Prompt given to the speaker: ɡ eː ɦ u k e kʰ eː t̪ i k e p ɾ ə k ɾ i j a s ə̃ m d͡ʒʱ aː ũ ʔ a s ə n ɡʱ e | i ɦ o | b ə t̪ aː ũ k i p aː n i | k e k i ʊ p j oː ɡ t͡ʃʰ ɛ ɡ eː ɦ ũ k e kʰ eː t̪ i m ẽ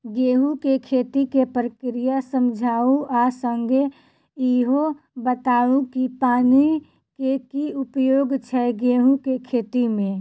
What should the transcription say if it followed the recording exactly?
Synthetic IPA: ɡ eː ɦ u k e kʰ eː t̪ i k e p ɾ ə k ɾ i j a s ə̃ m d͡ʒʱ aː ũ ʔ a s ə ŋ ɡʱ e | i ɦ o | b ə t̪ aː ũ k i p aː n i | k e k i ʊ p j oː ɡ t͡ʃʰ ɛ ɡ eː ɦ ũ k e kʰ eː t̪ i m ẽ

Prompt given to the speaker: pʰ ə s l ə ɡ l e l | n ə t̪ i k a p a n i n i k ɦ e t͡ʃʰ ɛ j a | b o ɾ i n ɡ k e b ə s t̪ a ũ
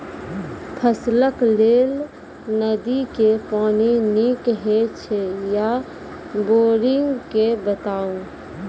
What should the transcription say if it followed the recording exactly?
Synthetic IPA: pʰ ə s l ə k l e l | n ə d̪ i k e p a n i n i k ɦ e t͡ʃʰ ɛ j a | b o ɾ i ŋ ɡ k e b ə t̪ a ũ

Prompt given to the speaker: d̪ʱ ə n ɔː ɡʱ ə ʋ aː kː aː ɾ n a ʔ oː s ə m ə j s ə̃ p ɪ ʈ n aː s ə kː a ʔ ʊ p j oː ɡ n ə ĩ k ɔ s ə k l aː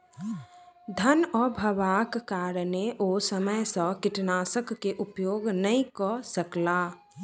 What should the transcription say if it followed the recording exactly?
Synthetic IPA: d̪ʱ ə n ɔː bʱ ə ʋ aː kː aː ɾ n e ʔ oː s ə m ə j s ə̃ k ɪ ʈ n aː s ə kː e ʔ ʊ p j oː ɡ n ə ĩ k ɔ s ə k l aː

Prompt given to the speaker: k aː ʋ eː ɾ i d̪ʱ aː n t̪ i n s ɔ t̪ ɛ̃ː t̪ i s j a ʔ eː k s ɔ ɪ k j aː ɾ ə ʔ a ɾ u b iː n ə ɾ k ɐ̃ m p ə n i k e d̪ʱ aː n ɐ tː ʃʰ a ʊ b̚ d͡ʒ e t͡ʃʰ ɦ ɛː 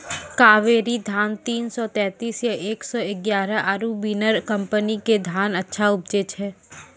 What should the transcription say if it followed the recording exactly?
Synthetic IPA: k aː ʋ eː ɾ i d̪ʱ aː n t̪ iː n s ɔ t̪ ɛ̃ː t̪ iː s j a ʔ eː k s ɔ ɪ ɡ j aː ɾ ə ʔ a ɾ u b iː n ə ɾ k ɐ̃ m p ə n i k e d̪ʱ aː n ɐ tː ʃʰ a ʊ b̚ d͡ʒ e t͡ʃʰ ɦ ɛː

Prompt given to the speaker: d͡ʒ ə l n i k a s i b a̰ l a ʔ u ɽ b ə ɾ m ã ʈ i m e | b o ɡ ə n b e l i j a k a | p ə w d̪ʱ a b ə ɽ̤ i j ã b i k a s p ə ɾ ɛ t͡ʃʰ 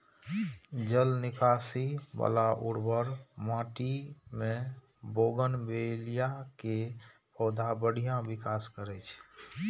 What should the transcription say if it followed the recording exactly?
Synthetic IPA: d͡ʒ ə l n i k a s i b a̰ l a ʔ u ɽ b ə ɾ m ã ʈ i m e | b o ɡ ə n b e l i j a k e | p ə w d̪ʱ a b ə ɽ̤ i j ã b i k a s k ə ɾ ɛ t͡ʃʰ

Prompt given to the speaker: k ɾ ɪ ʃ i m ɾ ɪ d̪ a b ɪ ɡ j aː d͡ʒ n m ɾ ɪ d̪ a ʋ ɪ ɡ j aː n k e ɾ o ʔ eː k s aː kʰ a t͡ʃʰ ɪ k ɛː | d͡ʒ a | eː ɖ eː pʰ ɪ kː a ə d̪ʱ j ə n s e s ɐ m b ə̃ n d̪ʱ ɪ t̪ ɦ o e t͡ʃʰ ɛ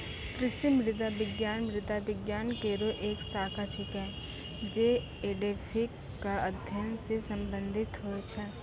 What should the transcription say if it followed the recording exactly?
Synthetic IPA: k ɾ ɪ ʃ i m ɾ ɪ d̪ a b ɪ ɡ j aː n m ɾ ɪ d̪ a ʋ ɪ ɡ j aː n k e ɾ o ʔ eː k s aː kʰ a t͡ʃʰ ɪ k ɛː | d͡ʒ e | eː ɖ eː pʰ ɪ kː a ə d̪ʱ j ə n s e s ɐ m b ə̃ n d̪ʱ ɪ t̪ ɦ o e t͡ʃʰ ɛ

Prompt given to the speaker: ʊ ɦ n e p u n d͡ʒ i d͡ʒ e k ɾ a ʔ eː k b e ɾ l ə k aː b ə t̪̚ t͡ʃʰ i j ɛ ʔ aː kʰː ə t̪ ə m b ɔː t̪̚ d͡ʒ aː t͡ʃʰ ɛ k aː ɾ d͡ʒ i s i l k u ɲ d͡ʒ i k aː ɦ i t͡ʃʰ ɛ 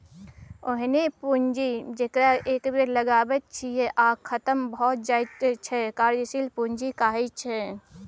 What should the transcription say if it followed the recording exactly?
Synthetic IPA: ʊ ɦ n e p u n d͡ʒ i d͡ʒ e k ɾ a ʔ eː k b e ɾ l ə ɡ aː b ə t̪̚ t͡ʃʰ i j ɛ ʔ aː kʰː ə t̪ ə m b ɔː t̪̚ d͡ʒ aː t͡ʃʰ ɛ k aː ɾ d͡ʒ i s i l p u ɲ d͡ʒ i k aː ɦ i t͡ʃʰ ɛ

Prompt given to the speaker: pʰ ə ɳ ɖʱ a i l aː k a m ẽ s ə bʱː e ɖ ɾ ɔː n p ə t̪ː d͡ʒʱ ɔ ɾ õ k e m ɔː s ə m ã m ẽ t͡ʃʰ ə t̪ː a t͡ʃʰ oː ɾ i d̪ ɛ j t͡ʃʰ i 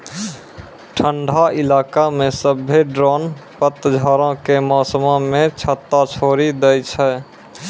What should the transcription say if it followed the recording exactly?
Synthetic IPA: ʈʰ ə ɳ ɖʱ a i l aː k a m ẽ s ə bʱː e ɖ ɾ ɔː n p ə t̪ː d͡ʒʱ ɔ ɾ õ k e m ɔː s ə m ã m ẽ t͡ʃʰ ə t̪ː a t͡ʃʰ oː ɾ i d̪ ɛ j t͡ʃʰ ɛ

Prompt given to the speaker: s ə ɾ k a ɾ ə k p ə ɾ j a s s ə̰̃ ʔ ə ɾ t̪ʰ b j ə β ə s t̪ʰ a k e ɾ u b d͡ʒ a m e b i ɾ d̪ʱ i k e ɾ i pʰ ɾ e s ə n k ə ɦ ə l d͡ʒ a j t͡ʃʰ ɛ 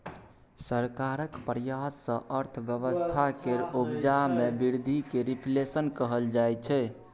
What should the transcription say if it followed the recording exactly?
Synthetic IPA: s ə ɾ k a ɾ ə k p ə ɾ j a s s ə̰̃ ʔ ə ɾ t̪ʰ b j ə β ə s t̪ʰ a k e ɾ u b d͡ʒ a m e b i ɾ d̪ʱ i k e ɾ i pʰ l e s ə n k ə ɦ ə l d͡ʒ a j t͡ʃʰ ɛ

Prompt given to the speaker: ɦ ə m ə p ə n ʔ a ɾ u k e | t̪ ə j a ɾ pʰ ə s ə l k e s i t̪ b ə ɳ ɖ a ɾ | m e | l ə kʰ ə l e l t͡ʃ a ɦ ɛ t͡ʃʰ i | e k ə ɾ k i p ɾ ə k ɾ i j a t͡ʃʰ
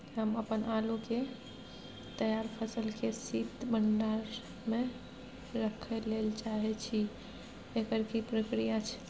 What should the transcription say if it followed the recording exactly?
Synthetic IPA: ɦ ə m ə p ə n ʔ a l u k e | t̪ ə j a ɾ pʰ ə s ə l k e s i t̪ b ə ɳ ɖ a ɾ | m e | ɾ ə kʰ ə l e l t͡ʃ a ɦ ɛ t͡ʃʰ i | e k ə ɾ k i p ɾ ə k ɾ i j a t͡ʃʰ

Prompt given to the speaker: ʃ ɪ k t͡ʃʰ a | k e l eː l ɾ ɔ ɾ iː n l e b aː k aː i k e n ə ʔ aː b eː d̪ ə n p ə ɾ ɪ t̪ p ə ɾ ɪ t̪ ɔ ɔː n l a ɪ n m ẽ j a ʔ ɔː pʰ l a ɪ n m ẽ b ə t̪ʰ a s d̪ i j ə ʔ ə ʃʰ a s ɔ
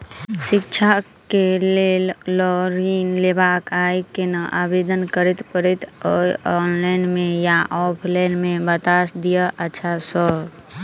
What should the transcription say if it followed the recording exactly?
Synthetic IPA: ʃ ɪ k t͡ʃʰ a | k e l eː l l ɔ ɾ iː n l e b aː k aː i k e n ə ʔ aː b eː d̪ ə n k ə ɾ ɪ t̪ p ə ɾ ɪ t̪ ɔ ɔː n l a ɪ n m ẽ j a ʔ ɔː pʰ l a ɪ n m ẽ b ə t̪ a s d̪ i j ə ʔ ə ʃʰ a s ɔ

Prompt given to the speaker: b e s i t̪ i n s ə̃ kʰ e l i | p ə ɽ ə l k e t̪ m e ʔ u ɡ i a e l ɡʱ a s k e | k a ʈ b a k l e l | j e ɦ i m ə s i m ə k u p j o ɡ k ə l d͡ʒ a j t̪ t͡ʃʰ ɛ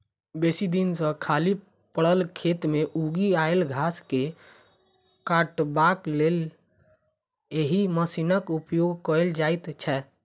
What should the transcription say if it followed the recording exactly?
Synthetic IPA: b e s i d̪ i n s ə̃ kʰ a l i | p ə ɽ ə l kʰ e t̪ m e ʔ u ɡ i a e l ɡʱ a s k e | k a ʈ b a k l e l | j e ɦ i m ə s i n ə k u p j o ɡ k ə l d͡ʒ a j t̪ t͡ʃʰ ɛ

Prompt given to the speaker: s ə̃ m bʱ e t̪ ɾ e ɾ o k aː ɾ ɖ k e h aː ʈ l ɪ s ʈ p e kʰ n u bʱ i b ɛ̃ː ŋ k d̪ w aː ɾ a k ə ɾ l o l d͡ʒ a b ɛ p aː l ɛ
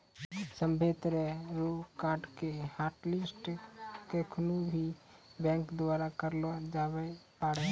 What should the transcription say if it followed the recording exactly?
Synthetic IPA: s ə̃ m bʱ e t̪ ɾ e ɾ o k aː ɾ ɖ k e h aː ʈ l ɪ s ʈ k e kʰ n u bʱ i b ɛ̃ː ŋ k d̪ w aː ɾ a k ə ɾ l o d͡ʒ a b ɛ p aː ɽ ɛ

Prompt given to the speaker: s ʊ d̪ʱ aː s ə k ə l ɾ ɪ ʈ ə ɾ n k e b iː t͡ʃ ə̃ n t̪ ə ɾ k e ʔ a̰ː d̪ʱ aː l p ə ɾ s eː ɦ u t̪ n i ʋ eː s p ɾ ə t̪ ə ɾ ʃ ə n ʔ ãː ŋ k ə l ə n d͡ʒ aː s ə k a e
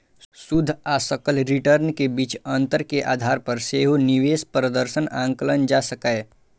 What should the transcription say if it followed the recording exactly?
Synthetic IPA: s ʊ d̪ʱ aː s ə k ə l ɾ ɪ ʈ ə ɾ n k e b iː t͡ʃ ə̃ n t̪ ə ɾ k e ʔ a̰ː d̪ʱ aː ɾ p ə ɾ s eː ɦ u n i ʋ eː s p ɾ ə d̪ ə ɾ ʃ ə n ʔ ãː ŋ k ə l ə n d͡ʒ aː s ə k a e

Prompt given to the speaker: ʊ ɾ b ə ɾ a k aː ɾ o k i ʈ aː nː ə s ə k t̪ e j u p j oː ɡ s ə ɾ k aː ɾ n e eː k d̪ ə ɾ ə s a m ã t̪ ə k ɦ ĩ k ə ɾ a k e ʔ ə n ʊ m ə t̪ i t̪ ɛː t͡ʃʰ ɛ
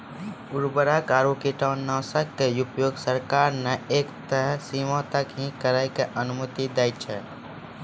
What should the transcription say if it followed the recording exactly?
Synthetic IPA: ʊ ɾ b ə ɾ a k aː ɾ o k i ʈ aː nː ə s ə k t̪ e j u p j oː ɡ s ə ɾ k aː ɾ n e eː k t̪ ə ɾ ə s i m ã t̪ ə k ɦ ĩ k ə ɾ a k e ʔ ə n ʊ m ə t̪ i d̪ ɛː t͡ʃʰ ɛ

